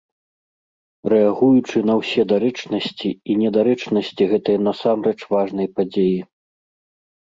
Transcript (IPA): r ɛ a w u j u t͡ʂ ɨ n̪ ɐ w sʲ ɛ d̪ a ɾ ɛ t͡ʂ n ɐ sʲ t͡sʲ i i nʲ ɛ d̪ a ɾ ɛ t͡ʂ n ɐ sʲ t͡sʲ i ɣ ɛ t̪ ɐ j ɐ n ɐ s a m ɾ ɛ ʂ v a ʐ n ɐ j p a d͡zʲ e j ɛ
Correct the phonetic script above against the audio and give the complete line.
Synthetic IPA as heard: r ɛ a ɣ u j u t͡ʂ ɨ n̪ ɐ w sʲ ɛ d̪ a ɾ ɛ t͡ʂ n ɐ sʲ t͡sʲ i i nʲ ɛ d̪ a ɾ ɛ t͡ʂ n ɐ sʲ t͡sʲ i ɣ ɛ t̪ ɐ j ɐ n ɐ s a m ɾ ɛ t͡ʂ v a ʐ n ɐ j p a d͡zʲ e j i

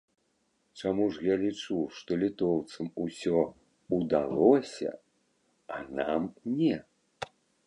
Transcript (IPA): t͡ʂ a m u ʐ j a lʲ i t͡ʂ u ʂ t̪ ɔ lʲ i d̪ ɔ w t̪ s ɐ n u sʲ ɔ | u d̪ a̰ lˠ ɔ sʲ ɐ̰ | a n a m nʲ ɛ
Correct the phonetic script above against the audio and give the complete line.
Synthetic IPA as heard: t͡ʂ a m u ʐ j a lʲ i t͡ʂ u ʂ t̪ ɔ lʲ i t̪ ɔ w t̪ s ɐ m u sʲ ɔ | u d̪ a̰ lˠ ɔ sʲ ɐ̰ | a n a m nʲ ɛ

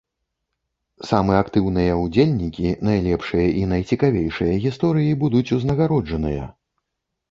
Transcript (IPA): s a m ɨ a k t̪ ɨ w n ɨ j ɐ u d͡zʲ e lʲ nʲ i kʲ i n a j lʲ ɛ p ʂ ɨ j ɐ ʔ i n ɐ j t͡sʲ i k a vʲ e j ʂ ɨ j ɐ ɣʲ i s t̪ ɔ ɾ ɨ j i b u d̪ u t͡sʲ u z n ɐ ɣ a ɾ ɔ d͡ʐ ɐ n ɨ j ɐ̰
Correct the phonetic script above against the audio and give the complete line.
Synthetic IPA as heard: s a m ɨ a k t̪ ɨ w n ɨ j ɐ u d͡zʲ e lʲ nʲ i kʲ i n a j lʲ ɛ p ʂ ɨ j ɐ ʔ i n ɐ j t͡sʲ i k a vʲ e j ʂ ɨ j ɐ ɣʲ i s t̪ ɔ ɾ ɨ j i b u d̪ u t͡sʲ u z n ɐ ɣ a ɾ ɔ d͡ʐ ɐ n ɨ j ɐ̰

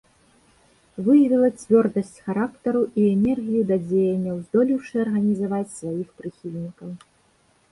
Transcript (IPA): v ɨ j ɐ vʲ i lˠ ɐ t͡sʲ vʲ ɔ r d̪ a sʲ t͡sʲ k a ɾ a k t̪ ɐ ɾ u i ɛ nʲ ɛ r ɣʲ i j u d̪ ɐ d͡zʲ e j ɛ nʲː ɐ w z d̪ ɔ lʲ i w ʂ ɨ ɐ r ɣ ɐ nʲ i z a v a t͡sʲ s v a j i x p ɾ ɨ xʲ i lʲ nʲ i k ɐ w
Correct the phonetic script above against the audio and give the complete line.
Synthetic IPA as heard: v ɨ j ɐ vʲ i lˠ ɐ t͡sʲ vʲ ɔ r d̪ ɐ sʲ t͡sʲ x a ɾ a k t̪ ɐ ɾ u i ɛ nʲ ɛ r ɣʲ i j u d̪ ɐ d͡zʲ e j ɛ nʲː ɐ w z d̪ ɔ lʲ i w ʂ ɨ ɐ r ɣ ɐ nʲ i z a v a t͡sʲ s v a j i x p ɾ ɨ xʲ i lʲ nʲ i k ɐ w

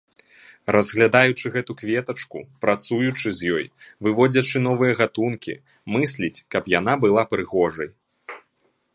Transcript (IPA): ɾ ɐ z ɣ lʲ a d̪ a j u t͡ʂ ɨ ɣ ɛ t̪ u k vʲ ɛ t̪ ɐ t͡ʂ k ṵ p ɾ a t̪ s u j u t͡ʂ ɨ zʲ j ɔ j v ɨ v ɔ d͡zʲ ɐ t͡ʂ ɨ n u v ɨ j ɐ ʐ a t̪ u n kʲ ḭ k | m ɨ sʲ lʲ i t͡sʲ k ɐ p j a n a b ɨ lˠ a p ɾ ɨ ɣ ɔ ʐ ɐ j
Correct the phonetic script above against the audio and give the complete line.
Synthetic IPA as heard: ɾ ɐ z ɣ lʲ a d̪ a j u t͡ʂ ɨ ɣ ɛ t̪ u k vʲ ɛ t̪ ɐ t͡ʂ k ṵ p ɾ a t̪ s u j u t͡ʂ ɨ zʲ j ɔ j v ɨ v ɔ d͡zʲ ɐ t͡ʂ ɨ n ɔ v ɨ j ɐ ɣ a t̪ u n kʲ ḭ | m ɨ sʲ lʲ i t͡sʲ k ɐ p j a n a b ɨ lˠ a p ɾ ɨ ɣ ɔ ʐ ɐ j

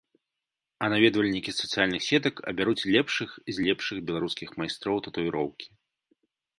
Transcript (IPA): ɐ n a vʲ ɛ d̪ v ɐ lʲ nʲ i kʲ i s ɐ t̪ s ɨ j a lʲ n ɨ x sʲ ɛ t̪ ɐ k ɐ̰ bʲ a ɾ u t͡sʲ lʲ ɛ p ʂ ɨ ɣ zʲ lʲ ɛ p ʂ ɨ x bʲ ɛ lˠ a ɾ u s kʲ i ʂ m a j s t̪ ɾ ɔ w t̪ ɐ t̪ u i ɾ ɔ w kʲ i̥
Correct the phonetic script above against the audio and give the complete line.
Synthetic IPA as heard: ɐ n a vʲ ɛ d̪ v ɐ lʲ nʲ i kʲ i s ɐ t̪ s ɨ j a lʲ n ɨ x sʲ ɛ t̪ ɐ k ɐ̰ bʲ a ɾ u t͡sʲ lʲ ɛ p ʂ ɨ x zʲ lʲ ɛ p ʂ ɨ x bʲ ɛ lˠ a ɾ u s kʲ i x m a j s t̪ ɾ ɔ w t̪ ɐ t̪ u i ɾ ɔ w kʲ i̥

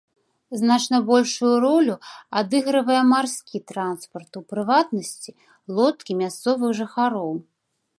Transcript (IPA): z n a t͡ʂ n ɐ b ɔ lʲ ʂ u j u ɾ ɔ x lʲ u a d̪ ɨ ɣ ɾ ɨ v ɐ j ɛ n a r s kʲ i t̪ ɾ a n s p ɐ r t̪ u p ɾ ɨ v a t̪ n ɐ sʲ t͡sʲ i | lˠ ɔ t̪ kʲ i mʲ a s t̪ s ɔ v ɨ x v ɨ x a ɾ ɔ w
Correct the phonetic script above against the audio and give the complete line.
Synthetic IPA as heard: z n a t͡ʂ n ɐ b ɔ lʲ ʂ u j u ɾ ɔ lʲ u a d̪ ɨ ɣ ɾ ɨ v ɐ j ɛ m a r s kʲ i t̪ ɾ a n s p ɐ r t̪ u p ɾ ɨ v a t̪ n ɐ sʲ t͡sʲ i | lˠ ɔ t̪ kʲ i mʲ a s t̪ s ɔ v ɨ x ʐ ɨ x a ɾ ɔ w

